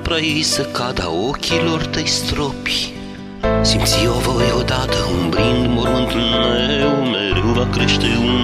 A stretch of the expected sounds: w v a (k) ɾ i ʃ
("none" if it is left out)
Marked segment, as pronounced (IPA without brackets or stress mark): k